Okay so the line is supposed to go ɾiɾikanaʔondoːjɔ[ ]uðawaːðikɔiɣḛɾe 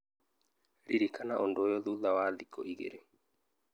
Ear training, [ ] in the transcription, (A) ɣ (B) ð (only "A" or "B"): B